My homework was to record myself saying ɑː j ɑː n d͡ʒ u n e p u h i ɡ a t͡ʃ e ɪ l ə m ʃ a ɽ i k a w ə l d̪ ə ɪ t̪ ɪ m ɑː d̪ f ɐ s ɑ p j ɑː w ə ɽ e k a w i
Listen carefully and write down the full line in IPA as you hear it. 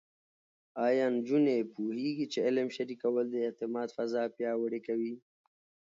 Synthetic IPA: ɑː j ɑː n d͡ʒ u n e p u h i ɡ i t͡ʃ e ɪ l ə m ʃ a ɾ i k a w ə l d̪ ə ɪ t̪ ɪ m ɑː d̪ f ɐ z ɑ p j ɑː w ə ɽ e k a w i